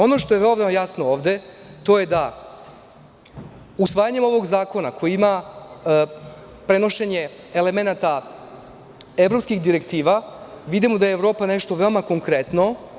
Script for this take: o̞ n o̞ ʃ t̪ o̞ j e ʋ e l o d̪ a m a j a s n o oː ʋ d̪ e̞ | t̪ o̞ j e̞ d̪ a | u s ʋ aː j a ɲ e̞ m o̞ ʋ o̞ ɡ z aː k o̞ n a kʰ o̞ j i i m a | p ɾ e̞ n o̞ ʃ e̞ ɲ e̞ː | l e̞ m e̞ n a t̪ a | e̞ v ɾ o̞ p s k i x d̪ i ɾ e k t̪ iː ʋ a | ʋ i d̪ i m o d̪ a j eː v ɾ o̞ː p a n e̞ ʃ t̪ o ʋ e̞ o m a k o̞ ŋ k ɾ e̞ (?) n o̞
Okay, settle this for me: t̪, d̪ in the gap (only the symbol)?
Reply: t̪